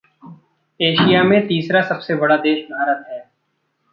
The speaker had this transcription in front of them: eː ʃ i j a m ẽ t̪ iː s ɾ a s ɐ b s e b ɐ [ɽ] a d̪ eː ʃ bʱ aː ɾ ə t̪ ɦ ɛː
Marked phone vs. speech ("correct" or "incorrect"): correct